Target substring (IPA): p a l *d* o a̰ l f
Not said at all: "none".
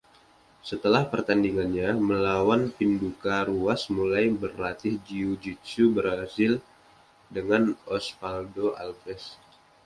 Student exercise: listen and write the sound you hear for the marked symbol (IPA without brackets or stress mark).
d